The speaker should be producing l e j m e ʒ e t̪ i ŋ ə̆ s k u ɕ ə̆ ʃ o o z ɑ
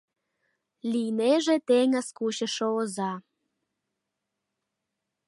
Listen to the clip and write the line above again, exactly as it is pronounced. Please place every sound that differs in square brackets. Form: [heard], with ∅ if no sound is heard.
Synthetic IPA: l [i] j [n] e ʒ e t̪ [e] ŋ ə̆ s k u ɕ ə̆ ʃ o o z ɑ

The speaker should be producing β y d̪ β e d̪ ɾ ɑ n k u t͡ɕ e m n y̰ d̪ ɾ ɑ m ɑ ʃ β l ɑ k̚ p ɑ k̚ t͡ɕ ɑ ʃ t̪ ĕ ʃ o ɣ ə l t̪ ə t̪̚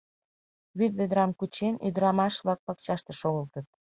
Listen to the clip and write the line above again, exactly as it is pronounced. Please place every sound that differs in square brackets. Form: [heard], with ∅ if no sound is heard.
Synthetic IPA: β y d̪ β e d̪ ɾ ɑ [m] k u t͡ɕ e [∅] n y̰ d̪ ɾ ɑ m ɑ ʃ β l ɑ k̚ p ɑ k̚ t͡ɕ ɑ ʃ t̪ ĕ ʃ o ɣ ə l t̪ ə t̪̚

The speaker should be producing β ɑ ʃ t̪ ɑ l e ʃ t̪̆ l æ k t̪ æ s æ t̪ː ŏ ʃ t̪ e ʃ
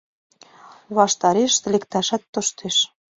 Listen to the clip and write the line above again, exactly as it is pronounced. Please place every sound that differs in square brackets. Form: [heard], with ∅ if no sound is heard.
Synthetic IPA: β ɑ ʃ t̪ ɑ [ɾ] e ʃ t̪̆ l [e] k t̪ æ [ʃ] æ t̪ː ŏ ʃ t̪ e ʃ

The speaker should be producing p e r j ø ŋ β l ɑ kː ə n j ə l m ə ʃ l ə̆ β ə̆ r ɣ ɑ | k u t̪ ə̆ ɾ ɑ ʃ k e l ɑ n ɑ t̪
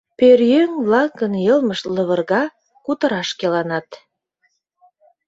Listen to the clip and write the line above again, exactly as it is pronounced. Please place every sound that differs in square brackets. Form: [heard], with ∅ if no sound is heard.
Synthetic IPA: p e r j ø ŋ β l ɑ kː ə n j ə l m ə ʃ l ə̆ β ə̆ r ɣ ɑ | k u t̪ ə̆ ɾ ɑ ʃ k e l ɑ n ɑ t̪

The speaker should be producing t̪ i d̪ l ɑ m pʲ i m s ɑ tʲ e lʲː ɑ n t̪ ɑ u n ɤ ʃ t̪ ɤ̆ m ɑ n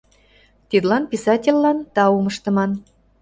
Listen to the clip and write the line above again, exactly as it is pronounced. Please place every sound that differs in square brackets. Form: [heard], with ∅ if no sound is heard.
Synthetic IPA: t̪ i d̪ l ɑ [n] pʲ i [∅] s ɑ tʲ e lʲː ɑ n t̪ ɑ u [m] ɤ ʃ t̪ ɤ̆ m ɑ n

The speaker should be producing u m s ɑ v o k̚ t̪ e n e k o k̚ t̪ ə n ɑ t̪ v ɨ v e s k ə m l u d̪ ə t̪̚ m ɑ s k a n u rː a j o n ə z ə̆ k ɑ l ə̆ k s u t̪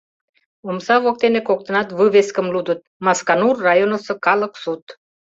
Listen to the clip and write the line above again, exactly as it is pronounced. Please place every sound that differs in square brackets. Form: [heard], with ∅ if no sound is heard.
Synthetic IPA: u m s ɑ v o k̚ t̪ e n e k o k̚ t̪ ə n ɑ t̪ v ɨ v e s k ə m l u d̪ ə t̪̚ m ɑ s k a n u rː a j o n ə [s] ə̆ k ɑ l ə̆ k s u t̪

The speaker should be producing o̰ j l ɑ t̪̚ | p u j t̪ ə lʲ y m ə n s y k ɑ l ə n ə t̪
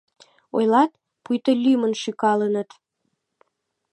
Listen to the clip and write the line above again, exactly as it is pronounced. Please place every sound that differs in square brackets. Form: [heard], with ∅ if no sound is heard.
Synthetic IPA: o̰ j l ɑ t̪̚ | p u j t̪ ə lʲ y m ə n [ʃ] y k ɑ l ə n ə t̪

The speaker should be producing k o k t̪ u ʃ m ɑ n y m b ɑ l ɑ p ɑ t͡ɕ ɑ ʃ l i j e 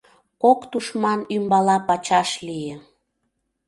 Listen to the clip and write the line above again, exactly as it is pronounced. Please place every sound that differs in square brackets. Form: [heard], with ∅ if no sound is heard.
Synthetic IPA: k o k t̪ u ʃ m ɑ n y m b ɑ l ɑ p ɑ t͡ɕ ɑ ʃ l i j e

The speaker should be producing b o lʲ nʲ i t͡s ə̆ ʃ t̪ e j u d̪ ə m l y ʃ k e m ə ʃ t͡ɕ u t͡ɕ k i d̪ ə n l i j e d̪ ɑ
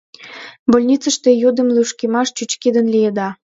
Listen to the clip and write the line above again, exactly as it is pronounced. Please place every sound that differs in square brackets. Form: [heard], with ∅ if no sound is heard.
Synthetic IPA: b o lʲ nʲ i t͡s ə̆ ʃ t̪ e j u d̪ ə m l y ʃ k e m [ɑ] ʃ t͡ɕ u t͡ɕ k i d̪ ə n l i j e d̪ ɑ

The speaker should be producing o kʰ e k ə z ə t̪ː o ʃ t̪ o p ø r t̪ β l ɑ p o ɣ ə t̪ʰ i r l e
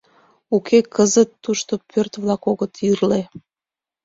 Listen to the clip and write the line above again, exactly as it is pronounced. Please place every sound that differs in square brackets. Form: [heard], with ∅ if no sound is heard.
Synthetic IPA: [u] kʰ e k ə z ə t̪ː [u] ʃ t̪ o p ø r t̪ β l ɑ [k] o ɣ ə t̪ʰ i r l e

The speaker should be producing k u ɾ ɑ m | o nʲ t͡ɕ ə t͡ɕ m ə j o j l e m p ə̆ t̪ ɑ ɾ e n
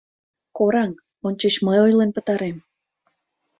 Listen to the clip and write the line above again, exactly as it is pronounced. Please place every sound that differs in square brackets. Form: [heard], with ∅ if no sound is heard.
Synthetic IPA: k [o] ɾ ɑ [ŋ] | o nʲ t͡ɕ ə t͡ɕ m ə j o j l e [n] p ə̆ t̪ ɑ ɾ e [m]

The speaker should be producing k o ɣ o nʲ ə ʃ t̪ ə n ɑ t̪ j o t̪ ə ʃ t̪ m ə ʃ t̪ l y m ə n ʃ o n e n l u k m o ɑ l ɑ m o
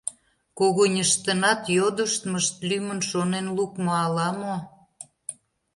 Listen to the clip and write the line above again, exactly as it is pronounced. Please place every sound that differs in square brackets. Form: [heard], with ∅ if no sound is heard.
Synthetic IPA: k o ɣ o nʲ ə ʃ t̪ ə n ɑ t̪ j o [d̪] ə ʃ t̪ m ə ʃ t̪ l y m ə n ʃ o n e n l u k m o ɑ l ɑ m o

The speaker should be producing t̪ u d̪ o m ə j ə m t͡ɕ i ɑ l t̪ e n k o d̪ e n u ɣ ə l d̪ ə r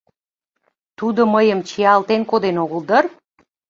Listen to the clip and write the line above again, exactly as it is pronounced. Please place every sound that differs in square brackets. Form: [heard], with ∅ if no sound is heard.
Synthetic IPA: t̪ u d̪ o m ə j ə m t͡ɕ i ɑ l t̪ e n k o d̪ e n [o] ɣ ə l d̪ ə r

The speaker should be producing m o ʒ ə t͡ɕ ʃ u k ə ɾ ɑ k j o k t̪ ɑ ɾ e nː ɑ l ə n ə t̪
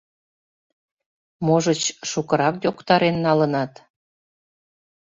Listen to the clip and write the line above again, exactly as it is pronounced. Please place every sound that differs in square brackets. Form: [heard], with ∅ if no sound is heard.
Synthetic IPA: m o ʒ ə t͡ɕ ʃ u k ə ɾ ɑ k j o k t̪ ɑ ɾ e nː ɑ l ə n [ɑ] t̪

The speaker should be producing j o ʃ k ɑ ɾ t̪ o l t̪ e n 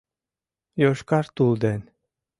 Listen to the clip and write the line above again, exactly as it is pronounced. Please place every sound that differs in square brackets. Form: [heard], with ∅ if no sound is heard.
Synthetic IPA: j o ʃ k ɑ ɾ t̪ [u] l [d̪] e n

